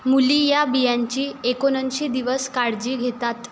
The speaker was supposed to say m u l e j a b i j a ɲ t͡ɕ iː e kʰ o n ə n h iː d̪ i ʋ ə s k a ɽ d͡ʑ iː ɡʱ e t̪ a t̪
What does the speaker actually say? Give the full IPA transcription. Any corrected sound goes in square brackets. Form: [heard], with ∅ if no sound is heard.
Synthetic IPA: m u l [i] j a b i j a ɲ t͡ɕ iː e [k] o n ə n [ɕ] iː d̪ i ʋ ə s k a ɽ d͡ʑ iː ɡʱ e t̪ a t̪